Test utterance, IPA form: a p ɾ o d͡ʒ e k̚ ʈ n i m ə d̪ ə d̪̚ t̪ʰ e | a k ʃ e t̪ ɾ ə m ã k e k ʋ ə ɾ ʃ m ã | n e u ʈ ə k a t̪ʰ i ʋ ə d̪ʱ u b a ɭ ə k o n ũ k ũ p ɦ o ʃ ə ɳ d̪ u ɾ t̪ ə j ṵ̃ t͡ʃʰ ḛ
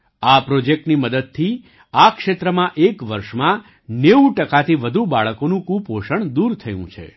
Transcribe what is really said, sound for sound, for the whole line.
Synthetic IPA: a p ɾ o d͡ʒ e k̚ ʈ n i m ə d̪ ə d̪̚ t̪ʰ i | a k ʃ e t̪ ɾ ə m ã ʔ e k ʋ ə ɾ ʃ m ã | n e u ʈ ə k a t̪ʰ i ʋ ə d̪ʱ u b a ɭ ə k o n ũ k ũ p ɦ o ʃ ə ɳ d̪ u ɾ t̪ʰ ə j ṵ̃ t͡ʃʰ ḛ